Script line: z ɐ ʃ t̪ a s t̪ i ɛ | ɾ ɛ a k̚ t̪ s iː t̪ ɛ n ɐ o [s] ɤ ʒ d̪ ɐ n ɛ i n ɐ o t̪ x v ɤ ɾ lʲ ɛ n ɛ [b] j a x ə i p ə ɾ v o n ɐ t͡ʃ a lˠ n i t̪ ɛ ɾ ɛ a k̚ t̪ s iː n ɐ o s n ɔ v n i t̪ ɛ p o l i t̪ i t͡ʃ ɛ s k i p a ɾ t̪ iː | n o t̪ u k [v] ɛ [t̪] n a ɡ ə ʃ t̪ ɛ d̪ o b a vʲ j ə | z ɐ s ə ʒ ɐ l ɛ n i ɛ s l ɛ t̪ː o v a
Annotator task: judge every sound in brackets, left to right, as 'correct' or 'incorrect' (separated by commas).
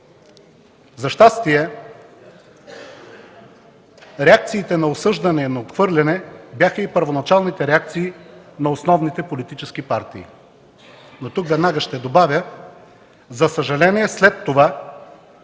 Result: correct, correct, correct, incorrect